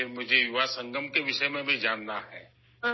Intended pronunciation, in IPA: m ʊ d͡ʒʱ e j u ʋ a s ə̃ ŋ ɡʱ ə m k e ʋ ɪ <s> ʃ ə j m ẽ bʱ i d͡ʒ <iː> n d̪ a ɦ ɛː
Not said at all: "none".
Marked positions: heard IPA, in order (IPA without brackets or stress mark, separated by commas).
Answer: none, aː